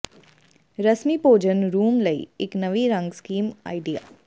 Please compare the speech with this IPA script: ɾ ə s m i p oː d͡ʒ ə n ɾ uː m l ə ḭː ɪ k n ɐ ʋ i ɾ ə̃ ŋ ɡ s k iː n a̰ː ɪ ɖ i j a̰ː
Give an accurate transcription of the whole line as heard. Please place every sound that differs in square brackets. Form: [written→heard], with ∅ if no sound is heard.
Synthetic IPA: ɾ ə s m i p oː d͡ʒ ə n ɾ uː m l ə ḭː ɪ k n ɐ ʋ i ɾ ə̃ ŋ ɡ s k iː [n→m] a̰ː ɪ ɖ i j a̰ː